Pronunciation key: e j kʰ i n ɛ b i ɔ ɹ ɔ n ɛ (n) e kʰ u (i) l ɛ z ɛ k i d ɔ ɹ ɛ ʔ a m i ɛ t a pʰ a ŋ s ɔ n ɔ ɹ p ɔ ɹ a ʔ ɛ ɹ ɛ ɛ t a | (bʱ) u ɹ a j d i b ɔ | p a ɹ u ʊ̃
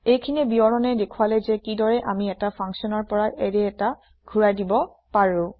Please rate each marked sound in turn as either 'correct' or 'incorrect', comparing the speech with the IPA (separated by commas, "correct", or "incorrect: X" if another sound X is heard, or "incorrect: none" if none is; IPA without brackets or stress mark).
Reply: incorrect: d, incorrect: a, incorrect: ɡʱ